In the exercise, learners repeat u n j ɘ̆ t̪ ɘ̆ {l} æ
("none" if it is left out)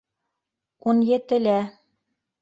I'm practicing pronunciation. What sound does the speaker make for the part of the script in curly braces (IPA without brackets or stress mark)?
l